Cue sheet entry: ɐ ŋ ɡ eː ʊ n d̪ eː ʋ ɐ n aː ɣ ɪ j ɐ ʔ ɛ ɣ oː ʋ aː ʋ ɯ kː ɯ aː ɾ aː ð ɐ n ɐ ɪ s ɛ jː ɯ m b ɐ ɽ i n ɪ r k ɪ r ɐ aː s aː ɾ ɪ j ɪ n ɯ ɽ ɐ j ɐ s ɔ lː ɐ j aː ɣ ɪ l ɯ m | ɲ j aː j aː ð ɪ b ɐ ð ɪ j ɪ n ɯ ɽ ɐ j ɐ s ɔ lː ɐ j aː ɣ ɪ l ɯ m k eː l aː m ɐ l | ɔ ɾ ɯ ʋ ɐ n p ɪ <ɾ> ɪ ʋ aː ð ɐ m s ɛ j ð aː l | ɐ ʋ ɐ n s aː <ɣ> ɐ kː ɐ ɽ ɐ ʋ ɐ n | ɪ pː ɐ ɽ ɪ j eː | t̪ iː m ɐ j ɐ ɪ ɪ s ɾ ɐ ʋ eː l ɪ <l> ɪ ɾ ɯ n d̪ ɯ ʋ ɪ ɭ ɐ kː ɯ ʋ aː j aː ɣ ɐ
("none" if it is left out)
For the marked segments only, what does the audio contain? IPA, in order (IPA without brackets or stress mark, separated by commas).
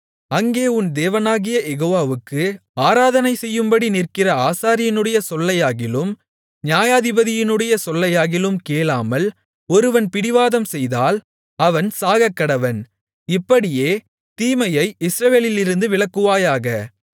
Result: ɽ, ɣ, l